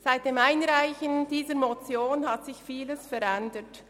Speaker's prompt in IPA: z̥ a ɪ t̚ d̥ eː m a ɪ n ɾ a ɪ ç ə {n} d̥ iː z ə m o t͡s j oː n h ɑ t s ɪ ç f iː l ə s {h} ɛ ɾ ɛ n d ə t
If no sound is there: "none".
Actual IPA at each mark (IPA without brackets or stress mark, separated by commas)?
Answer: n, f